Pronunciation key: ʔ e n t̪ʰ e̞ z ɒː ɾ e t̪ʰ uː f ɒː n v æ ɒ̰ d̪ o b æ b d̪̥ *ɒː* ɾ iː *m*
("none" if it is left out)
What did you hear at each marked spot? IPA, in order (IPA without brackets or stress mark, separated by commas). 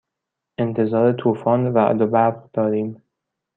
ɒː, m